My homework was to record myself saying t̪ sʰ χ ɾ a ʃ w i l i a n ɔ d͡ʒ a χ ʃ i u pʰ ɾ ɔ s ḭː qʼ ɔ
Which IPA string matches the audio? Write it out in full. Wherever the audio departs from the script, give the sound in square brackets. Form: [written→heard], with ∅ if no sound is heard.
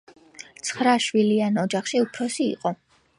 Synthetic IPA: t̪ sʰ χ ɾ a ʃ w i l i a n ɔ d͡ʒ a χ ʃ i u pʰ ɾ ɔ s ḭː qʼ ɔ